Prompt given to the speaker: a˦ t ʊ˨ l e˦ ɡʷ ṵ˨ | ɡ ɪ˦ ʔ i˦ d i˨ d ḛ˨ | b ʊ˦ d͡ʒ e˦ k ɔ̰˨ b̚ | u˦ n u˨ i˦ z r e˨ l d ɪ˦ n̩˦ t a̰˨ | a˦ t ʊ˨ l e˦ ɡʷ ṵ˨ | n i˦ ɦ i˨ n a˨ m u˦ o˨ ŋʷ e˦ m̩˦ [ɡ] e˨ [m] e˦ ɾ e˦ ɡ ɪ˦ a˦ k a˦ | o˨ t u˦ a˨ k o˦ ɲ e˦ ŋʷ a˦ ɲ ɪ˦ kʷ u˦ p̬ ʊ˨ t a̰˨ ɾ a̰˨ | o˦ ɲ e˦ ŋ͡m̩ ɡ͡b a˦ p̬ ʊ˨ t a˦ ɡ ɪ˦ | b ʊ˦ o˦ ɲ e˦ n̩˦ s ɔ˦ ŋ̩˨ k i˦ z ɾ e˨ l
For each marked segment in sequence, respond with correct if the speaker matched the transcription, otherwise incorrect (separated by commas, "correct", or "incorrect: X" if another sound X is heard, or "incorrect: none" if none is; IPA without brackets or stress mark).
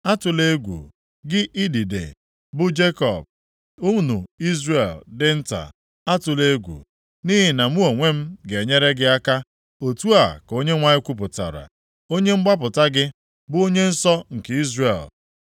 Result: correct, incorrect: ɲ